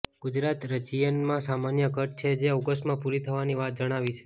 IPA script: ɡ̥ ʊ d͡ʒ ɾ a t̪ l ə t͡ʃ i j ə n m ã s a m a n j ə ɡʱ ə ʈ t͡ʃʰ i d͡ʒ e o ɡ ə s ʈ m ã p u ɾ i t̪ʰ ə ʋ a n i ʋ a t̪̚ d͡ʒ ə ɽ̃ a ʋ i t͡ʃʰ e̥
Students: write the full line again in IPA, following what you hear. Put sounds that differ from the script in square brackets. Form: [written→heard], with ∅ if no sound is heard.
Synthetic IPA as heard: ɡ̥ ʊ d͡ʒ ɾ a t̪ [l→ɾ] ə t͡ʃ i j ə n m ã s a m a n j ə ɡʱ ə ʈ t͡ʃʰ [i→e] d͡ʒ e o ɡ ə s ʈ m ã p u ɾ i t̪ʰ ə ʋ a n i ʋ a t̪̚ d͡ʒ ə ɽ̃ a ʋ i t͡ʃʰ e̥